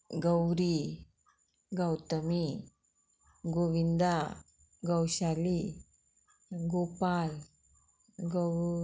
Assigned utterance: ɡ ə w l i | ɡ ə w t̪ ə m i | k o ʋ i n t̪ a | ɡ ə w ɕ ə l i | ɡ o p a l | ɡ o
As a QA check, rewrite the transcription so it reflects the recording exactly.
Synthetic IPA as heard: ɡ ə w ɾ i | ɡ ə w t̪ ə m i | ɡ o ʋ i n d̪ a | ɡ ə w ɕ a l i | ɡ o p a l | ɡ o